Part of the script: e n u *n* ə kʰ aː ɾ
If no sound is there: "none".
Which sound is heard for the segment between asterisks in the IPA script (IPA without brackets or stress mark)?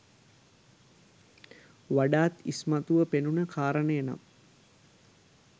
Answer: n